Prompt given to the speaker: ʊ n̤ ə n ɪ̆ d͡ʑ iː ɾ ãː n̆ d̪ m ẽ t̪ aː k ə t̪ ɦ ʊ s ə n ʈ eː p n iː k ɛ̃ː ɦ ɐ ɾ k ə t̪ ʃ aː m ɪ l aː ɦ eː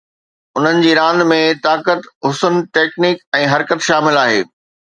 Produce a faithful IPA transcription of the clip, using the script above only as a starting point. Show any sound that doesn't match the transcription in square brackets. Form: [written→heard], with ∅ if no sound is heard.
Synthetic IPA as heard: ʊ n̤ ə n ɪ̆ d͡ʑ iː ɾ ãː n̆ d̪ m ẽ t̪ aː k ə t̪ ɦ ʊ s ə n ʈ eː [p→k] n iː k ɛ̃ː ɦ ɐ ɾ k ə t̪ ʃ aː m ɪ l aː ɦ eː